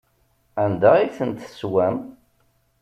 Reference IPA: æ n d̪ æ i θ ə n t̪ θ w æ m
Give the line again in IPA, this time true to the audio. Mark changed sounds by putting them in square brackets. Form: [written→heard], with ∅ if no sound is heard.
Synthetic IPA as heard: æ n d̪ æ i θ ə n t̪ [θ→s] w æ m